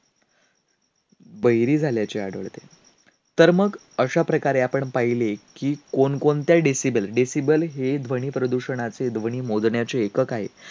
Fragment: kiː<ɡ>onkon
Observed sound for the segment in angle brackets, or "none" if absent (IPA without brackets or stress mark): k